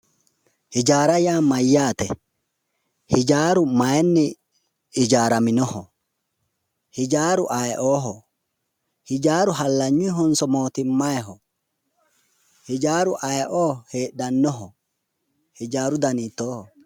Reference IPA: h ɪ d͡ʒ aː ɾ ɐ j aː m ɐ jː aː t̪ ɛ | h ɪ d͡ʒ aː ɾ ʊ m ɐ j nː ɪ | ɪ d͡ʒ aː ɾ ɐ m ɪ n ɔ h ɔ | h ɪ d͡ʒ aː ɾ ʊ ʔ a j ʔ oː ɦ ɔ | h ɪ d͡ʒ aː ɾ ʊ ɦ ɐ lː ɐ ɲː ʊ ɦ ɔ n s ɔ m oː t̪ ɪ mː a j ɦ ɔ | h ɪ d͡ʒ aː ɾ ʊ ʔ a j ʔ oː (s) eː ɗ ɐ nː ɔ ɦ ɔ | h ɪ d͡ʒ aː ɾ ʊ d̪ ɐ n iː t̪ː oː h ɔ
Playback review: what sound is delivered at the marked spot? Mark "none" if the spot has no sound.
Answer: h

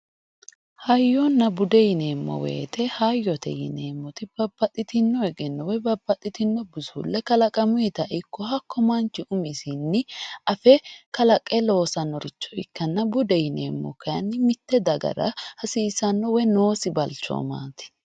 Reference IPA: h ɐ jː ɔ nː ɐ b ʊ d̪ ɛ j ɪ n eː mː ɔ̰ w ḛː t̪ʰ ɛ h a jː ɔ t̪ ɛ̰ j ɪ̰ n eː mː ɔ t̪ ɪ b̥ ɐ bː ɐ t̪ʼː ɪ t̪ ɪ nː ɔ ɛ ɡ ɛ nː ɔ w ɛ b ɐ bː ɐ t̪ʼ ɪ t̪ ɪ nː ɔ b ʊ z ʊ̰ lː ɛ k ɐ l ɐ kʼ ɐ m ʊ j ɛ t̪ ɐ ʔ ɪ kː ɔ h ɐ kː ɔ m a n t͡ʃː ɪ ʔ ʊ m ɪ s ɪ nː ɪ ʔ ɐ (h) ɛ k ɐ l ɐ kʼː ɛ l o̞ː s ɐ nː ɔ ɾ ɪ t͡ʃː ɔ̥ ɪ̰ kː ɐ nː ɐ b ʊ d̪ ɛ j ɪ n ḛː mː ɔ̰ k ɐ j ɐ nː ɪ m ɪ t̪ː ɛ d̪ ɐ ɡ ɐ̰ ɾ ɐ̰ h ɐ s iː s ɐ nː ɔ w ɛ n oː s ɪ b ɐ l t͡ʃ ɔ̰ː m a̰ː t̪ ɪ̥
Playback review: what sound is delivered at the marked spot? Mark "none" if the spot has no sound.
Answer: f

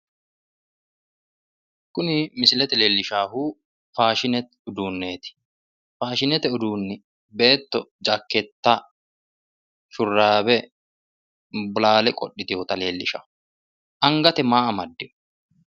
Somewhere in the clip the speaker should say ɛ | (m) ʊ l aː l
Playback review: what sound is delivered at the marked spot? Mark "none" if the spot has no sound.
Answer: b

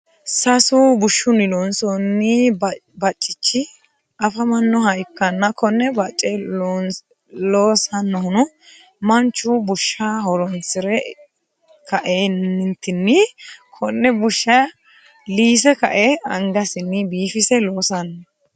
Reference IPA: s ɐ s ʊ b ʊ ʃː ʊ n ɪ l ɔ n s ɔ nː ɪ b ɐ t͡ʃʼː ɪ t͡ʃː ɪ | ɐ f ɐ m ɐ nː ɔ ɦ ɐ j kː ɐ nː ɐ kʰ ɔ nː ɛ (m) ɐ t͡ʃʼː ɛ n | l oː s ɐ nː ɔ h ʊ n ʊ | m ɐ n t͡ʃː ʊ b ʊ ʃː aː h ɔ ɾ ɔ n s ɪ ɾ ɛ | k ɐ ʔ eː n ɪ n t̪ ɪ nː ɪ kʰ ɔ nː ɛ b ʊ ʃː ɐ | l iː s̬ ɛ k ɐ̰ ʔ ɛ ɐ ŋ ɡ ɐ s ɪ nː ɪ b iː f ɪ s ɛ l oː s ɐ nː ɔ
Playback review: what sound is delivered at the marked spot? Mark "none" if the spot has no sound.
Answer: b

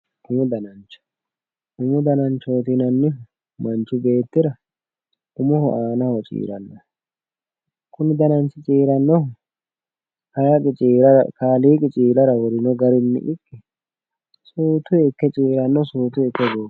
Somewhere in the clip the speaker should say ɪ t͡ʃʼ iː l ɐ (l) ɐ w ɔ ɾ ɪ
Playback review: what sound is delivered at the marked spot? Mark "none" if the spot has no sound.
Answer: ɾ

